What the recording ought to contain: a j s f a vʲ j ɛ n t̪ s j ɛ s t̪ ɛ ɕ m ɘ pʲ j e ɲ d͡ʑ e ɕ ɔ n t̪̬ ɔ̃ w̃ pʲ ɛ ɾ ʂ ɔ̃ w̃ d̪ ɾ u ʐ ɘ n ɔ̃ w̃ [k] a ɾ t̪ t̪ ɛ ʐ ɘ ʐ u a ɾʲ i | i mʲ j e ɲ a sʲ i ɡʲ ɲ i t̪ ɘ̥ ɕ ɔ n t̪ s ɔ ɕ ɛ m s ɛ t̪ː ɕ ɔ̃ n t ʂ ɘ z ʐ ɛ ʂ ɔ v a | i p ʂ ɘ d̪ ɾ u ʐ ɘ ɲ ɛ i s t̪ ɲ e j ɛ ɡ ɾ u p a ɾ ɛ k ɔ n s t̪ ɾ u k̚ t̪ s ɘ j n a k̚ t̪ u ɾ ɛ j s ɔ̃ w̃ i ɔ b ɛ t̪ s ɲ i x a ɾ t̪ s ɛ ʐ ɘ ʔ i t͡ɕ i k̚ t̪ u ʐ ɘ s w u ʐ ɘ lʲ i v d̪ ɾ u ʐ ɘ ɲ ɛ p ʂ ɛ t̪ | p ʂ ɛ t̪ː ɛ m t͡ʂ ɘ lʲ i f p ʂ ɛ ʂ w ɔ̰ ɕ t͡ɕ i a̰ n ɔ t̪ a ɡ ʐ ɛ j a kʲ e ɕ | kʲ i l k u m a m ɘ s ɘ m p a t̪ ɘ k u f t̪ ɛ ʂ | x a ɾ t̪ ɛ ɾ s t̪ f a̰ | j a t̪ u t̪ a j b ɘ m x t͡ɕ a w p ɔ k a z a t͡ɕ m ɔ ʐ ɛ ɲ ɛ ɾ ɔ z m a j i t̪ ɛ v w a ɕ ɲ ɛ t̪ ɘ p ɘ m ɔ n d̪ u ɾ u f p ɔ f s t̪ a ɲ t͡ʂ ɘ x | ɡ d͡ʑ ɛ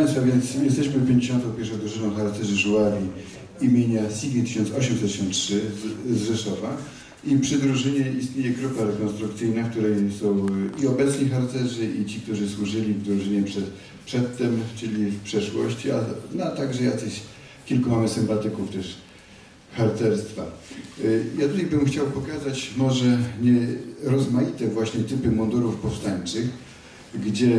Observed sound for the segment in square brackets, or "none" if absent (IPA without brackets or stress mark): x